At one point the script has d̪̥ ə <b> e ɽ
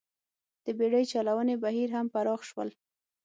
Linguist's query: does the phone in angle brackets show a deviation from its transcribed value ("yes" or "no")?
no